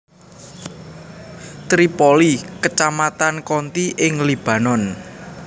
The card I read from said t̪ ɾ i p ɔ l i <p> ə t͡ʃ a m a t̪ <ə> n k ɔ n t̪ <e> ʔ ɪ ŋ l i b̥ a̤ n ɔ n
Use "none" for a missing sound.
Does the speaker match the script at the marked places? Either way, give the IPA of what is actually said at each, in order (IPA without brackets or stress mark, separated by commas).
k, a, i